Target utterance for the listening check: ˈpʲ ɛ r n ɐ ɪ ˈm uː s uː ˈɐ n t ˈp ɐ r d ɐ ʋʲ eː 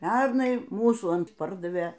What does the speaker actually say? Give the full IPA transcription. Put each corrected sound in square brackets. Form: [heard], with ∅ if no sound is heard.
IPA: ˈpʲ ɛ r n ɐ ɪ ˈm uː s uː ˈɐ n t ˈp ɐ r d ɐ ʋʲ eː